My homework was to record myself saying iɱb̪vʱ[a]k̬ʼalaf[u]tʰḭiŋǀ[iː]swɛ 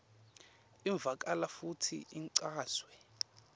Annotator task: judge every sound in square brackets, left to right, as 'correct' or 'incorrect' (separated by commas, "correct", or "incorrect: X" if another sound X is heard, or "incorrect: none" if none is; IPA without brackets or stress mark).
correct, correct, incorrect: aː